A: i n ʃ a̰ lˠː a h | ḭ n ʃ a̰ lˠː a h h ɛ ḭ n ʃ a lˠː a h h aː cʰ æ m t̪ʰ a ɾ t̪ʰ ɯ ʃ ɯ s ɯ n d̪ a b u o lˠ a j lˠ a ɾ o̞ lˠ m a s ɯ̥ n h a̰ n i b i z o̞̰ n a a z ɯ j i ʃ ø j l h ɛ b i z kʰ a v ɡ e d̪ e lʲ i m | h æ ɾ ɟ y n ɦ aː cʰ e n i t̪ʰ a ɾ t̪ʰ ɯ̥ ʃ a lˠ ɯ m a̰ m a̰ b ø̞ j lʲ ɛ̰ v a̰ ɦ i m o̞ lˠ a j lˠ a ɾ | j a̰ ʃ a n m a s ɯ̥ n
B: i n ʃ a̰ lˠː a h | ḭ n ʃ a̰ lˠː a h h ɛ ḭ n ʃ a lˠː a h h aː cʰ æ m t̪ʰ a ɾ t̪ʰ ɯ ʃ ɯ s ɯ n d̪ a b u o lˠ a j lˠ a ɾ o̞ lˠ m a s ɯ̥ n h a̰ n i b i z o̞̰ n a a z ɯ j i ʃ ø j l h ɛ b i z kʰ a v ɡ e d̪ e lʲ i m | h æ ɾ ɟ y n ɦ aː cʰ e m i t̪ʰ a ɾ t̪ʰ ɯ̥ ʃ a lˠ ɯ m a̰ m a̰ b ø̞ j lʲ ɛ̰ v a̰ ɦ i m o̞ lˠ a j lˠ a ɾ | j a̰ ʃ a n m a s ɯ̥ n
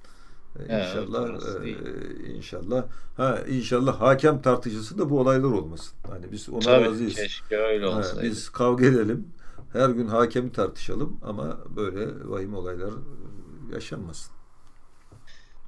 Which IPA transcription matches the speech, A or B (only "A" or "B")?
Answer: B